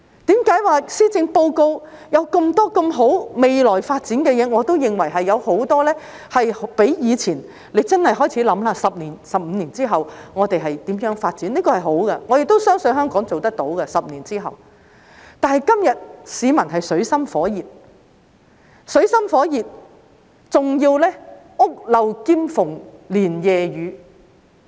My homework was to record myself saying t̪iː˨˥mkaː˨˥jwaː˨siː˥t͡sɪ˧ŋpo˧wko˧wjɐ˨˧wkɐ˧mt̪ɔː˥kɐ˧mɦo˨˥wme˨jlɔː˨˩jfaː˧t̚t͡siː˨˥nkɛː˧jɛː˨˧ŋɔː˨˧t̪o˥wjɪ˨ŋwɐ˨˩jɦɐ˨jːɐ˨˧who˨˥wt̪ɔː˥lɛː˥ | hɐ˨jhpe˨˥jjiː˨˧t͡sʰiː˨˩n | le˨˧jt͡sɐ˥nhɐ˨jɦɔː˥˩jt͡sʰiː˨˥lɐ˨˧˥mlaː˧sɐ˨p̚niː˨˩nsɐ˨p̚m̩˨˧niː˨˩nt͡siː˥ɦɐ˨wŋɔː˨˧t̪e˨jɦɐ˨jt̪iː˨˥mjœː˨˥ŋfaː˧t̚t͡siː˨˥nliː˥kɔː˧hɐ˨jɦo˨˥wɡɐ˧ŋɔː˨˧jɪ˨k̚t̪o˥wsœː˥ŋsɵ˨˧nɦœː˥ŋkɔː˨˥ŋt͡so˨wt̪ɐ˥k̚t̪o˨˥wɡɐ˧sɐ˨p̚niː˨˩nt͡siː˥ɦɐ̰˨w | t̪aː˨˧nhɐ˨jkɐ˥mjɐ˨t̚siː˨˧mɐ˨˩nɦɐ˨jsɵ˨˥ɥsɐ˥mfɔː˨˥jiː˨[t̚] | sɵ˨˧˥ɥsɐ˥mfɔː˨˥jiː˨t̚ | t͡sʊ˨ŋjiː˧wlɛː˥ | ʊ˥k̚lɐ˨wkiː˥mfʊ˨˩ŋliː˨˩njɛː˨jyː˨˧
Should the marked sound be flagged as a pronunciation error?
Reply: no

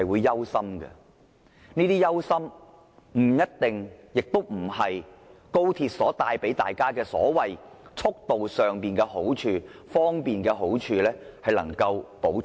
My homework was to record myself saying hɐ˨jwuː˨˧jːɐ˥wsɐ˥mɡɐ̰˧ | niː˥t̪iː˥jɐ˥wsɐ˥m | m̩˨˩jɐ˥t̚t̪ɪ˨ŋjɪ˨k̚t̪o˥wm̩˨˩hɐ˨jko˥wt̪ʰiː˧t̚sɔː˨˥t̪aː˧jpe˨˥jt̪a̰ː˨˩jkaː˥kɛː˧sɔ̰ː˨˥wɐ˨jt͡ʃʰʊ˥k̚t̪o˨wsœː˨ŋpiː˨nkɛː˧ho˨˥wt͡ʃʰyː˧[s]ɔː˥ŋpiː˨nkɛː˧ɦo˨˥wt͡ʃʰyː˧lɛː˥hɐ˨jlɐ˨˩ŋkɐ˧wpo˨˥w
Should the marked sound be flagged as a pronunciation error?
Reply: yes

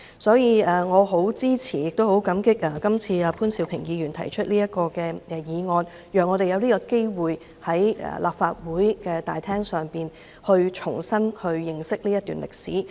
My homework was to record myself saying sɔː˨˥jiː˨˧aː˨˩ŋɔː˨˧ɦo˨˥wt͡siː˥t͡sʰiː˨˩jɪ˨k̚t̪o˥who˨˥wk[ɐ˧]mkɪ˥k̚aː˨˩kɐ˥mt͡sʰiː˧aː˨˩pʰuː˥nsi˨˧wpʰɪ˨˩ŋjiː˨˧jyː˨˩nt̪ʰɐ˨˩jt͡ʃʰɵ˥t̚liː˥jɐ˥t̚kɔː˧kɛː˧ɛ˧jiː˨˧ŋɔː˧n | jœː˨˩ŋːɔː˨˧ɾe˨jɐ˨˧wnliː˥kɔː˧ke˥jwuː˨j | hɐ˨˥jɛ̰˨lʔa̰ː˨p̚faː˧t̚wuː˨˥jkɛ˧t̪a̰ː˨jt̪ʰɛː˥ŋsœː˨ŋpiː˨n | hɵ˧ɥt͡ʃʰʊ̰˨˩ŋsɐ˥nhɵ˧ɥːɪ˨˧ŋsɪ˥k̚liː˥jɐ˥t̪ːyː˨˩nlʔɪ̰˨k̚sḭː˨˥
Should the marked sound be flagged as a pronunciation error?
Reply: yes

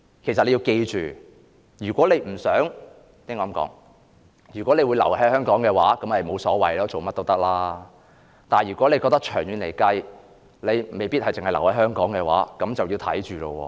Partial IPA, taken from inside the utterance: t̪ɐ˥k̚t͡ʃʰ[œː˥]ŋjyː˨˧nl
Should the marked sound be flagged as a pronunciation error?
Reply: yes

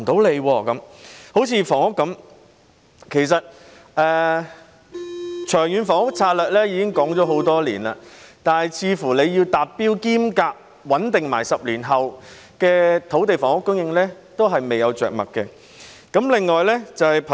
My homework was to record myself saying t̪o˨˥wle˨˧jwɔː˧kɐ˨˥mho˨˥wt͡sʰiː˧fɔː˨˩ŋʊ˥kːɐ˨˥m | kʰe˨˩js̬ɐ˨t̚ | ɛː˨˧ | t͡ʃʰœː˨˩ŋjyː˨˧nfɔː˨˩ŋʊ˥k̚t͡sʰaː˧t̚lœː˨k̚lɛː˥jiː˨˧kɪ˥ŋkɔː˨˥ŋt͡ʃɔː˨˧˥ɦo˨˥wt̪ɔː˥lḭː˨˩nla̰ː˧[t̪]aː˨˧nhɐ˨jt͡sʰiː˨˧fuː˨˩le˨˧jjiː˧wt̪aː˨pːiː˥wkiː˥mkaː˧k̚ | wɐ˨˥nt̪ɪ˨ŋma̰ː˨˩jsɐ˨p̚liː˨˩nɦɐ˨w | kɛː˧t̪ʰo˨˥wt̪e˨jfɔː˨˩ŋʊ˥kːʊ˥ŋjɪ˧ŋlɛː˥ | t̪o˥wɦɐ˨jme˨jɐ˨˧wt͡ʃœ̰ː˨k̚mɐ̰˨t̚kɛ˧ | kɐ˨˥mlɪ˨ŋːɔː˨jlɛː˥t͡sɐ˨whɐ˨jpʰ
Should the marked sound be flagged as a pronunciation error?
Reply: no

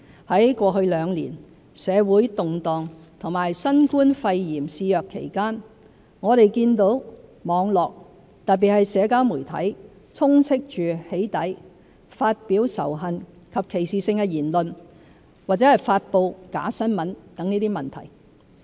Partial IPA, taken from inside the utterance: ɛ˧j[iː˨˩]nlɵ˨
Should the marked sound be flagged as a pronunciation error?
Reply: no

